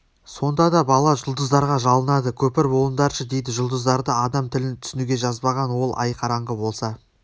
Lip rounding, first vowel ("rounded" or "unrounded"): rounded